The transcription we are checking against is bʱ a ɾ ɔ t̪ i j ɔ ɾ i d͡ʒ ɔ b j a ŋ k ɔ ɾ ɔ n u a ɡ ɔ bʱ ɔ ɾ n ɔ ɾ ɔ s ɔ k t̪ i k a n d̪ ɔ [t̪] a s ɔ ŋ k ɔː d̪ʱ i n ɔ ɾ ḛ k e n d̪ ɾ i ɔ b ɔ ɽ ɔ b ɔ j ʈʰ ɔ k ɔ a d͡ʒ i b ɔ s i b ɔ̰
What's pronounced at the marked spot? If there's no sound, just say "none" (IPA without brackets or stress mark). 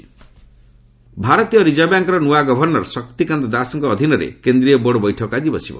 d̪